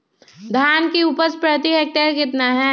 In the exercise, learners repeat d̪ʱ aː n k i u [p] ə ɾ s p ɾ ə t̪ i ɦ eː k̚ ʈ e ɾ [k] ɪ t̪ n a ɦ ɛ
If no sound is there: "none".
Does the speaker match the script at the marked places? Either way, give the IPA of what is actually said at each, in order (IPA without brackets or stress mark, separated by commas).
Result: p, k